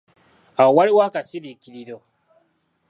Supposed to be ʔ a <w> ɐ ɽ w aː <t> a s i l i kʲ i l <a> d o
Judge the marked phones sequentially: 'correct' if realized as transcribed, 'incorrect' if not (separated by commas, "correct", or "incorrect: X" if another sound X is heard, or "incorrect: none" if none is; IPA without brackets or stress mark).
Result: correct, incorrect: k, incorrect: i